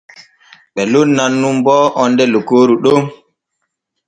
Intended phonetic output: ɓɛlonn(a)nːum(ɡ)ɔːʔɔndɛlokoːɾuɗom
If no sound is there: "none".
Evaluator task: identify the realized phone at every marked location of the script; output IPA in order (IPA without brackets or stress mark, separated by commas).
a, b